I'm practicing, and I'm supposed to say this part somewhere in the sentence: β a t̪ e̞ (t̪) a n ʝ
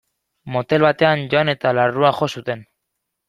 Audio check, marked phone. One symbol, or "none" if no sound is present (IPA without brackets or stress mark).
none